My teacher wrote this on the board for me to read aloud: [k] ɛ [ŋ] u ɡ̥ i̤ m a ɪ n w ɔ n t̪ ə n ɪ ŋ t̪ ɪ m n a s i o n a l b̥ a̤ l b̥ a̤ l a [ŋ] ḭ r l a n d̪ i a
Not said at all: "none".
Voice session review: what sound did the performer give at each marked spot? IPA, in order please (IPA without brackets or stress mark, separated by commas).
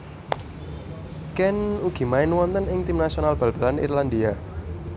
k, n, n